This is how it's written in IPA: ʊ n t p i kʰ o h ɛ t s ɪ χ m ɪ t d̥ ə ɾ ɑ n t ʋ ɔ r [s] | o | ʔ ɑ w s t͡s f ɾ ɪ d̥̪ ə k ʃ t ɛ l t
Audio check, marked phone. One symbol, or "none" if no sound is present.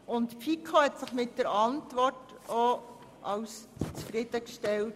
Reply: t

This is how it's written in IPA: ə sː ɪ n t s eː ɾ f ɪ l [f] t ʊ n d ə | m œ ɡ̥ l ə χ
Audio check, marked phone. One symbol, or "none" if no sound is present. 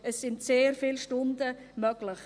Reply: ʃ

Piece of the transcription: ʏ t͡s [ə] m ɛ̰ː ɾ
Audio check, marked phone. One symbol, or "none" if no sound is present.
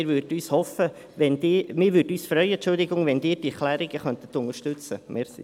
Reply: ə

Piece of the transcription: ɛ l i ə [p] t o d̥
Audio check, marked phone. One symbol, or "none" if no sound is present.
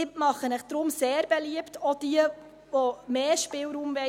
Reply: p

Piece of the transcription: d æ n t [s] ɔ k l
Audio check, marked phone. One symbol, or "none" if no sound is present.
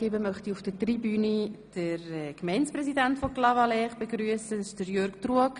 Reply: f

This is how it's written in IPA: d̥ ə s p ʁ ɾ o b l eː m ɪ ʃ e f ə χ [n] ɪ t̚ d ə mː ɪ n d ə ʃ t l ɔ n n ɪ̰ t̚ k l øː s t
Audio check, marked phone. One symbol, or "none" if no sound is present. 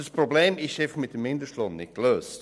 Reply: m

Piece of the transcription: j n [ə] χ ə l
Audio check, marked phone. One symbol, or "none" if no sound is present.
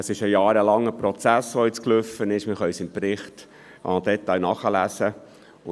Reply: ɑ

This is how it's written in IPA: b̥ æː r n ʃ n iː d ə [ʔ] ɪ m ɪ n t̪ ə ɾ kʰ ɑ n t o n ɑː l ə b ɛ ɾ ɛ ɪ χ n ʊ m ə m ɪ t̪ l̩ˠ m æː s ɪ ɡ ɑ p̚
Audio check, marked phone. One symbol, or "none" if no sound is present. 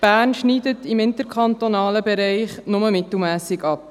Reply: t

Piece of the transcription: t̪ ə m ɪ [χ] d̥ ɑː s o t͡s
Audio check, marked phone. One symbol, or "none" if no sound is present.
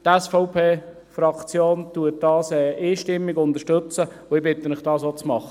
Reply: χ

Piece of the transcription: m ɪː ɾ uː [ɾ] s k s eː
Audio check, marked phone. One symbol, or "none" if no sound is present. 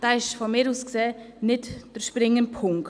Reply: none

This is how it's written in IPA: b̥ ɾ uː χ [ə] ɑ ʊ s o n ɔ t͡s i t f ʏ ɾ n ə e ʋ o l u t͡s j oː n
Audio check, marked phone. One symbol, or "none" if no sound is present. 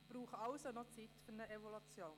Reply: ə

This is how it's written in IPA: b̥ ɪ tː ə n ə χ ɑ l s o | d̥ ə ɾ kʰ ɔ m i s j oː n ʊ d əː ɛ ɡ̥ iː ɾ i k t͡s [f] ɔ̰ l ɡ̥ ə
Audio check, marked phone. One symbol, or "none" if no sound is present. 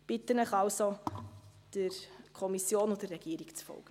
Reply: f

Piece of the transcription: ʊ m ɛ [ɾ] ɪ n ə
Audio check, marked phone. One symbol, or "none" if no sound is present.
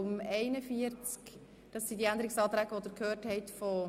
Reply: none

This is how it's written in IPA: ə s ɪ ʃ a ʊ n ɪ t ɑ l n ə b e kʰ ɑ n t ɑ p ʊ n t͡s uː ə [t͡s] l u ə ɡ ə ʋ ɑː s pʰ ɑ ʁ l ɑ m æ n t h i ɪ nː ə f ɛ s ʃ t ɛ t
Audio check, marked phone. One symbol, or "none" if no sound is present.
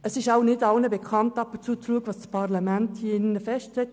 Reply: t͡s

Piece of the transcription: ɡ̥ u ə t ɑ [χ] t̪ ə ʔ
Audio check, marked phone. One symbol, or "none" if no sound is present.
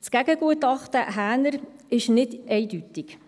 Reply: χ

